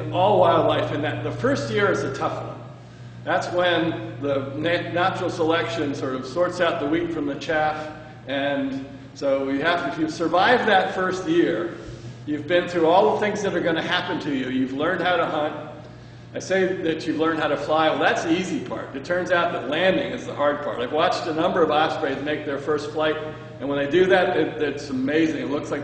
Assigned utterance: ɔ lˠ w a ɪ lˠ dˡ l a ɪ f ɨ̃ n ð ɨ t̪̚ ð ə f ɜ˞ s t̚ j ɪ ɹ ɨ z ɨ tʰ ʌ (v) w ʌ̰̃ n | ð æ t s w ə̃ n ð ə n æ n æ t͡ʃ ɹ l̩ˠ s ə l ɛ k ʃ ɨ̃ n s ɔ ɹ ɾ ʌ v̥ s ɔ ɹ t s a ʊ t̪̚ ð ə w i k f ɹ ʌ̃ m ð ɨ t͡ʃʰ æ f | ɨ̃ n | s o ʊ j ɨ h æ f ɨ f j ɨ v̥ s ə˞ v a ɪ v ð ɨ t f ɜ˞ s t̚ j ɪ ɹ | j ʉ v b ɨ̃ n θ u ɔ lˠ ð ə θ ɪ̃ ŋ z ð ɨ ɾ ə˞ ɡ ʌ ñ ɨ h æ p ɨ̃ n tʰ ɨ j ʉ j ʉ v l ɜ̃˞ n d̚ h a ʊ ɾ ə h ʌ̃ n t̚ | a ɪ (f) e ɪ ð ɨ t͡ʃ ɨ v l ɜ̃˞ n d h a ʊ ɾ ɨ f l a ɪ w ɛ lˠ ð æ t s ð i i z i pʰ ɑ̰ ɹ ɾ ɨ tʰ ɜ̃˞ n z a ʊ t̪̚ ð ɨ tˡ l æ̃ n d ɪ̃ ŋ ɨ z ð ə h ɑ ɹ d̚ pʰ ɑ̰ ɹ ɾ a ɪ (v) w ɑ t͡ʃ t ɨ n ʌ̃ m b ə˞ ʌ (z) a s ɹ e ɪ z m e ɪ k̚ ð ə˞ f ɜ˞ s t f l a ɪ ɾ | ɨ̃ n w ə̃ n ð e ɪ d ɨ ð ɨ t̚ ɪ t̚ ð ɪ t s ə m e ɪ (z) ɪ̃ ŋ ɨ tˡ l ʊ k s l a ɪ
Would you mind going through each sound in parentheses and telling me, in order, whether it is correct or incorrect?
incorrect: f, incorrect: s, correct, incorrect: v, correct

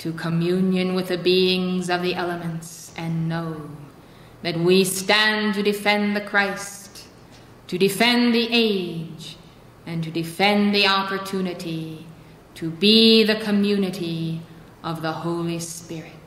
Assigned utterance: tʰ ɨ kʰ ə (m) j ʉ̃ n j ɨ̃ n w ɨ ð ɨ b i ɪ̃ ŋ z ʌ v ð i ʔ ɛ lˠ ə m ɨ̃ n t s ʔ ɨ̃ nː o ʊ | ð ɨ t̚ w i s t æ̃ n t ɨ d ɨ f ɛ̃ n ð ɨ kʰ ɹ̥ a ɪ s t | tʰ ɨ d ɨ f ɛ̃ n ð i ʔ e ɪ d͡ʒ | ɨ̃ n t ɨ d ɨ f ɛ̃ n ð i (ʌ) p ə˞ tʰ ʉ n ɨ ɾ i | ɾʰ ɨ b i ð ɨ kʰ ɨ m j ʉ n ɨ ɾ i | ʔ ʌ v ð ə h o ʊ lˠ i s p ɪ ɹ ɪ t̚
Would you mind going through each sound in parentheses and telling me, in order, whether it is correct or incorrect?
correct, incorrect: ɑ

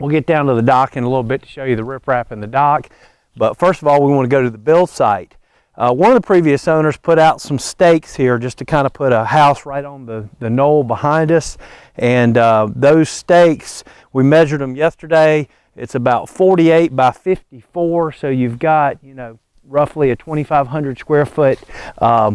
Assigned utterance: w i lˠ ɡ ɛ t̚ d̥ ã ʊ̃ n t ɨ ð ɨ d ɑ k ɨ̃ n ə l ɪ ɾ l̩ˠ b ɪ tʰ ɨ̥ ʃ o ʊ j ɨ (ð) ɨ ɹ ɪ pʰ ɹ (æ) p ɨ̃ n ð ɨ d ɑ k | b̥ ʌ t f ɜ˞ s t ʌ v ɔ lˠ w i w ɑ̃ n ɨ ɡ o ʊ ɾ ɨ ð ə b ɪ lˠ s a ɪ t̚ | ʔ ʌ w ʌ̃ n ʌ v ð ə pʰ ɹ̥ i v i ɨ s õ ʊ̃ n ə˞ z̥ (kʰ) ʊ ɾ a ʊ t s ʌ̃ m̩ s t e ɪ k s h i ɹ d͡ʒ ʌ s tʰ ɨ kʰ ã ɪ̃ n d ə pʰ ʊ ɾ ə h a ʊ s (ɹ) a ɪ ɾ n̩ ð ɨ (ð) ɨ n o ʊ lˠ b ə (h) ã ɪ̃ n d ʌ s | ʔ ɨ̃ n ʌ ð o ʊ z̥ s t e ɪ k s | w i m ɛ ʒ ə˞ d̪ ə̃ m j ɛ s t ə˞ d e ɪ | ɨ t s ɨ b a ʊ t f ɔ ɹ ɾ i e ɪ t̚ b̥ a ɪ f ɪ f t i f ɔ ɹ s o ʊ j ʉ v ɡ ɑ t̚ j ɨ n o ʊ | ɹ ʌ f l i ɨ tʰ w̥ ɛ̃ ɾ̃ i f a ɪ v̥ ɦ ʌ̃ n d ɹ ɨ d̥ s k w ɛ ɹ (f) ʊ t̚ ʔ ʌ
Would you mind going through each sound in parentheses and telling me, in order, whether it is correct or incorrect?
correct, correct, incorrect: pʰ, correct, correct, correct, correct

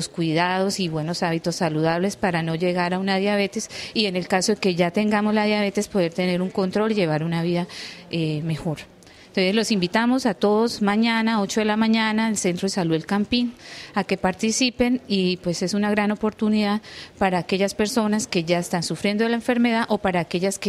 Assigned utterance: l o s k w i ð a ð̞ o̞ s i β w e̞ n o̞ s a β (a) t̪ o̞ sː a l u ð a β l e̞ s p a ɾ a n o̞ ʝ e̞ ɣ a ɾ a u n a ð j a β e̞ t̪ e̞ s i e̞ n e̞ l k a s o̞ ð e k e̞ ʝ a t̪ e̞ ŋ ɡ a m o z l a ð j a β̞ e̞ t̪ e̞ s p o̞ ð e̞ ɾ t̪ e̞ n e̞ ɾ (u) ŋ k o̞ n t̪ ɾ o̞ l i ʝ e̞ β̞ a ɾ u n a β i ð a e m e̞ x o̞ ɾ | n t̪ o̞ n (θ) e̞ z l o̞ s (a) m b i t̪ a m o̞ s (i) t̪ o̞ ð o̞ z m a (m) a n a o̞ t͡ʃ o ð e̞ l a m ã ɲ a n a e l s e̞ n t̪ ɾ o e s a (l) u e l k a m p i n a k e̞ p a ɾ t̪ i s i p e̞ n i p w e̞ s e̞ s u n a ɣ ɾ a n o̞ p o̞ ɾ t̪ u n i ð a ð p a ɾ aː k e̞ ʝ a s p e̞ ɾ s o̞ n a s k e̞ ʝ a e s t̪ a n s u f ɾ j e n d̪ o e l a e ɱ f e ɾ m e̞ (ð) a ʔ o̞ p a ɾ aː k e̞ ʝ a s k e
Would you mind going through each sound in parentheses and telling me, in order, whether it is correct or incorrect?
incorrect: i, correct, incorrect: s, incorrect: i, incorrect: a, incorrect: ɲ, correct, correct

